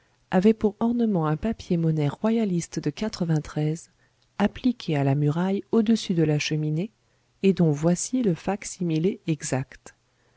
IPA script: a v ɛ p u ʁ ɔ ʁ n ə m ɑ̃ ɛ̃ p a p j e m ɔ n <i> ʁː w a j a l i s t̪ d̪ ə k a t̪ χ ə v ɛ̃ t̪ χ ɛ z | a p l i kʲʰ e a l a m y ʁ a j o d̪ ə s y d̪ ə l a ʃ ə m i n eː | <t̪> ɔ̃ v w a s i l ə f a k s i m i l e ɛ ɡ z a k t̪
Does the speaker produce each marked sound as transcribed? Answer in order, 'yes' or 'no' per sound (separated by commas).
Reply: no, no